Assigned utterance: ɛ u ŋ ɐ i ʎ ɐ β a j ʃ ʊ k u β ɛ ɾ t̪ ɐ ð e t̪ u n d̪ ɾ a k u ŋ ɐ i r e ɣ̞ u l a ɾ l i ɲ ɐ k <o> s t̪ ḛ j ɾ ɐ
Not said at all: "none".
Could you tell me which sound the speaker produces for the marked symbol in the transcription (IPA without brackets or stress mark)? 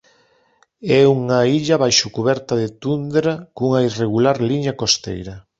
o